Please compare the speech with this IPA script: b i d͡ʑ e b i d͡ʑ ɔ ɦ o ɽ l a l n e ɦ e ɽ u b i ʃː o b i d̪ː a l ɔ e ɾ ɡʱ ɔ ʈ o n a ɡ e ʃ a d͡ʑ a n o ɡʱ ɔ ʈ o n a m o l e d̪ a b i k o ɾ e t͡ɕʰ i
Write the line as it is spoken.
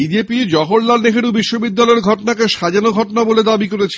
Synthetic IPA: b i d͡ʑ e p i d͡ʑ ɔ ɦ o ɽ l a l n e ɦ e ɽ u b i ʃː o b i d̪ː a l ɔ e ɾ ɡʱ ɔ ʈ o n a k e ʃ a d͡ʑ a n o ɡʱ ɔ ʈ o n a b o l e d̪ a b i k o ɾ e t͡ɕʰ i